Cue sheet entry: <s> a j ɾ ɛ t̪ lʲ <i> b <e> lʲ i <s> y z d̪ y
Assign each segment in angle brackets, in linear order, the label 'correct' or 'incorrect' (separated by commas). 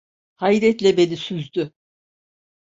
incorrect, incorrect, correct, correct